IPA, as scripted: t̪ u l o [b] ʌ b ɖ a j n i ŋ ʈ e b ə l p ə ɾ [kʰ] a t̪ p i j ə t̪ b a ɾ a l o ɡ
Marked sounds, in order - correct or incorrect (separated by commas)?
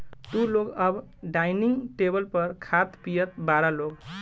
incorrect, correct